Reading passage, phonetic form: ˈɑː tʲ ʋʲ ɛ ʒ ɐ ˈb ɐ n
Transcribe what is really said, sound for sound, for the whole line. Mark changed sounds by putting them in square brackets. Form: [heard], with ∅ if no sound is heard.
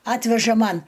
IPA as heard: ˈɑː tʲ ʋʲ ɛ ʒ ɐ [ˈm] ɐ n